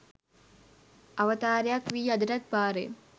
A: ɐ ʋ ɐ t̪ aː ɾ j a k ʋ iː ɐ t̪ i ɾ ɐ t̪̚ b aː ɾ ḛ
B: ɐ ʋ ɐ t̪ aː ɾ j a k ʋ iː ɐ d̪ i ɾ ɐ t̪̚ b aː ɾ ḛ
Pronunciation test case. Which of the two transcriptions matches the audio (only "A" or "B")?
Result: B